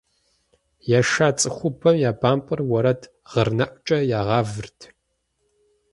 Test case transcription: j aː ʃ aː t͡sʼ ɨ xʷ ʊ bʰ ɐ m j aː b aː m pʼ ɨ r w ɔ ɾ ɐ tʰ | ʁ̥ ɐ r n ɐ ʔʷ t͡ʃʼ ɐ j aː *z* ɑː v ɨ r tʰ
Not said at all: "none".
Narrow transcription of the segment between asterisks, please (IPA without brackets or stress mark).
ʁ